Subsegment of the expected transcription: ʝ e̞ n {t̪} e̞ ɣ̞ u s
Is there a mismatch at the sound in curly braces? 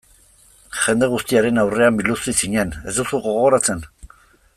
yes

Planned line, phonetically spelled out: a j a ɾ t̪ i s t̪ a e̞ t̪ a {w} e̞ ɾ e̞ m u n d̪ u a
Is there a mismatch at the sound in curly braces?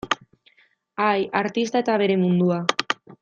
yes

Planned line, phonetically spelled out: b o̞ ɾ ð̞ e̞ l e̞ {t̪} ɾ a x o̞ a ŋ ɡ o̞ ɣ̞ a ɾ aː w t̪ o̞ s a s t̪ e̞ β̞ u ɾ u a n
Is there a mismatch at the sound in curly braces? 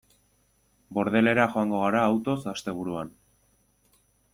yes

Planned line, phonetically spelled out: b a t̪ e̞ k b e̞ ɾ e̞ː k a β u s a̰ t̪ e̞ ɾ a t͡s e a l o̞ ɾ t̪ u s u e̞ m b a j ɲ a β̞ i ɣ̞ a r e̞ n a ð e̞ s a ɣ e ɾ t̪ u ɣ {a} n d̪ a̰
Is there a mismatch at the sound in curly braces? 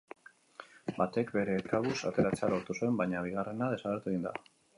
yes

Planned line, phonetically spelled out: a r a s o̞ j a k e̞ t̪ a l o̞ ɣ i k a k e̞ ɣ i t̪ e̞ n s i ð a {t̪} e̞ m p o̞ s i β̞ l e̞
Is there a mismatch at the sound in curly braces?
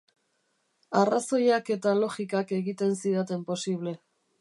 no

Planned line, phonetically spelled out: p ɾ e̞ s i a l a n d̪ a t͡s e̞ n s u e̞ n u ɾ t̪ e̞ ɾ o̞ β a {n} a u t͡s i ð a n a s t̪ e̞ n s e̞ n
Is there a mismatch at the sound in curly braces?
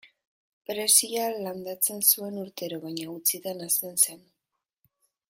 yes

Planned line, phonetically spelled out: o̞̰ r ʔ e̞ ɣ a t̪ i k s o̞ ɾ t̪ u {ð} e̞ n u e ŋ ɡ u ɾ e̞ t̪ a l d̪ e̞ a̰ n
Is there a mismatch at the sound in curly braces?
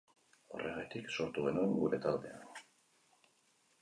yes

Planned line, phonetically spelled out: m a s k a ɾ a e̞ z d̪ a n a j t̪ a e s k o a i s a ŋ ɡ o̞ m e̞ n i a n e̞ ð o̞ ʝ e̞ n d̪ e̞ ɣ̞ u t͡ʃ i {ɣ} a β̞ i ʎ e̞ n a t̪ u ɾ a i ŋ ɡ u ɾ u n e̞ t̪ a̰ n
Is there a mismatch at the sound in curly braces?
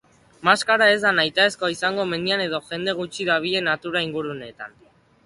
yes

